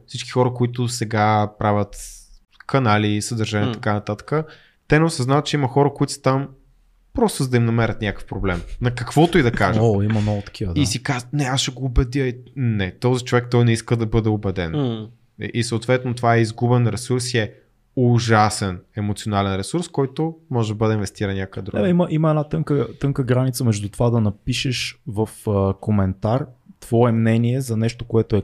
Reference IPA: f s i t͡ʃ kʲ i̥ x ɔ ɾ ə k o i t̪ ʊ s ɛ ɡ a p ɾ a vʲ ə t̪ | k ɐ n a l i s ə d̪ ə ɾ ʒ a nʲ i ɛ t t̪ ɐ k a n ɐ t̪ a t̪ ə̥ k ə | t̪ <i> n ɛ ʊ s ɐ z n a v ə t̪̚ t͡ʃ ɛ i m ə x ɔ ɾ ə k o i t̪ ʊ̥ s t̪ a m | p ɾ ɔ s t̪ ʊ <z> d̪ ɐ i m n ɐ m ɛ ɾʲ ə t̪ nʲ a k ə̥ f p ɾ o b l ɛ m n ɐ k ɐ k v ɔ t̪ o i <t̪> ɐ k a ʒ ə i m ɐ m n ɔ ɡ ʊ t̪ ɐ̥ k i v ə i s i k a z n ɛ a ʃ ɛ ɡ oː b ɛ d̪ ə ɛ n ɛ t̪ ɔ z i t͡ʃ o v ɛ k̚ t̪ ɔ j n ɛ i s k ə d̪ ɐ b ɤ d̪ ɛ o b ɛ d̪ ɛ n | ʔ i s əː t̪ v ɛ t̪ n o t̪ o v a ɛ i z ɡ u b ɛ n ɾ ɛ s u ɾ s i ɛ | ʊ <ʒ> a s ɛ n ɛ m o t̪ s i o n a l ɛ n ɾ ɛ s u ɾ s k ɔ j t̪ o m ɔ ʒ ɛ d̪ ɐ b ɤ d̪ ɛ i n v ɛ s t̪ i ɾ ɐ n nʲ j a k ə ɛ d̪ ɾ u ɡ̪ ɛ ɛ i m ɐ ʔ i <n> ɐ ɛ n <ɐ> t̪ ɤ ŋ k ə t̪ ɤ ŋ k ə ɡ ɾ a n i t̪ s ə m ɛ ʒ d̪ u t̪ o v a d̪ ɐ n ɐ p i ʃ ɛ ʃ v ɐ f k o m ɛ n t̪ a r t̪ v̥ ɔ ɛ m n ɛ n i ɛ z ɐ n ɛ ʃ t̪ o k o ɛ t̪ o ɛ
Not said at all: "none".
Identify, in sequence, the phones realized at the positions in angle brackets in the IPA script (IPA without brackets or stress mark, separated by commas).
ɛ, z, d̪, ʒ, m, a